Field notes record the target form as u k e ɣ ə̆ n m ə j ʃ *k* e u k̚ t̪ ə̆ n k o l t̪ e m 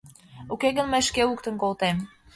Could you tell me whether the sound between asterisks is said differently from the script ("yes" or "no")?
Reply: no